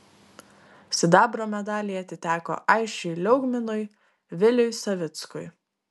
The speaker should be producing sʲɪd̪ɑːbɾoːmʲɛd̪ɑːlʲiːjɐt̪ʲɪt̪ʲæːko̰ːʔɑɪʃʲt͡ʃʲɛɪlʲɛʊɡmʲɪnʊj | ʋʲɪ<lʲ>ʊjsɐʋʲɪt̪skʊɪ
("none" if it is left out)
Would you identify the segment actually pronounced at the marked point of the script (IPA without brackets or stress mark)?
lʲ